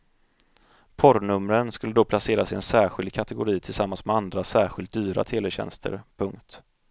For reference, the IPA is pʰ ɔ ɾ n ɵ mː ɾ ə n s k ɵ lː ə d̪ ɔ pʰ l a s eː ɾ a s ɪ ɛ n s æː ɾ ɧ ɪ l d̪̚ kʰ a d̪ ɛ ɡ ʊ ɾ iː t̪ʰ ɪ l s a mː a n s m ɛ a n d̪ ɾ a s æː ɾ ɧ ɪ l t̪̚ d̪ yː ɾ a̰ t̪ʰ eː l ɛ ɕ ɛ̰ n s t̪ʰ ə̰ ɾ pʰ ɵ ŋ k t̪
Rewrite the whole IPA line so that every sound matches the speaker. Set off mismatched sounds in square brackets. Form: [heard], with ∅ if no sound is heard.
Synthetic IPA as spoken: pʰ ɔ ɾ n ɵ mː ɾ ə n s k ɵ lː ə d̪ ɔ pʰ l a s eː ɾ a s ɪ ɛ n s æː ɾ ɧ ɪ l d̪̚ kʰ a [t̪] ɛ ɡ ʊ ɾ iː t̪ʰ ɪ l s a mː a n s m ɛ a n d̪ ɾ a s æː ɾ ɧ ɪ l t̪̚ d̪ yː ɾ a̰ t̪ʰ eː l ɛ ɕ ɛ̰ n s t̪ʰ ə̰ ɾ pʰ ɵ ŋ k t̪